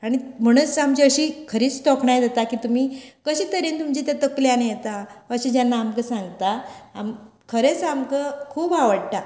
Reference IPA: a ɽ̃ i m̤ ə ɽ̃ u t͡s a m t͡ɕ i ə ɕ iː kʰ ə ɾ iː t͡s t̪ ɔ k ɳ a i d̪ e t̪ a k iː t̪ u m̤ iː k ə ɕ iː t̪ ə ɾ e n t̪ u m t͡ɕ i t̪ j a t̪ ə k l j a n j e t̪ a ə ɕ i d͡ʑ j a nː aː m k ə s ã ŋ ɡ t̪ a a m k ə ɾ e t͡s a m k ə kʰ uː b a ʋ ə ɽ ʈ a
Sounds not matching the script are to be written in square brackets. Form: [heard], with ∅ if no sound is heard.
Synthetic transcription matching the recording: a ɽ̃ i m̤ ə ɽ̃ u t͡s a m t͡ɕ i ə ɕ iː kʰ ə ɾ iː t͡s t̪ ɔ k ɳ a [j] d̪ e t̪ a k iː t̪ u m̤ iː k ə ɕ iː t̪ ə ɾ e n t̪ u m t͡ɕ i t̪ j a t̪ ə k l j a n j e t̪ a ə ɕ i d͡ʑ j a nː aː m k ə s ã ŋ ɡ t̪ a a m [kʰ] ə ɾ e t͡s a m k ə kʰ uː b a ʋ ə ɽ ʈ a